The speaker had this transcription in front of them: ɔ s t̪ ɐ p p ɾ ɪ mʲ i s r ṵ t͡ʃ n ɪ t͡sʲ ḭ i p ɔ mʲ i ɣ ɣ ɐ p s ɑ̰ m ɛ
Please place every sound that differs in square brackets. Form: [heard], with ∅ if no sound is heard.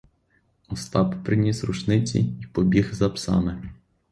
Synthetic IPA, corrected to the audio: ɔ s t̪ [ɑ] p p ɾ ɪ [nʲ] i s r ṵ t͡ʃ n ɪ t͡sʲ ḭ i p ɔ [bʲ] i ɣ [z] ɐ p s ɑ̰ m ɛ